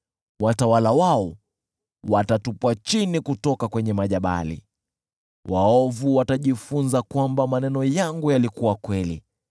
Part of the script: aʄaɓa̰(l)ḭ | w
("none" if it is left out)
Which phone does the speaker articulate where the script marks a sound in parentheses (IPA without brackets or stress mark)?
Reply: l